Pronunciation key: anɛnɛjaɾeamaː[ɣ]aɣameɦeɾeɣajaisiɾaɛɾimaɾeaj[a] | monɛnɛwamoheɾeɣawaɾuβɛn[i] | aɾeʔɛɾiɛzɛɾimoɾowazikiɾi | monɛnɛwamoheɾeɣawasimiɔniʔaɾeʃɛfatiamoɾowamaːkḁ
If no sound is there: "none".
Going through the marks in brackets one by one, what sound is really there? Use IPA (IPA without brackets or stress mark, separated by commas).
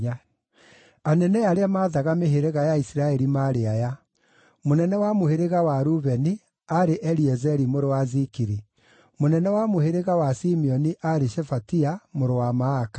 ð, a, i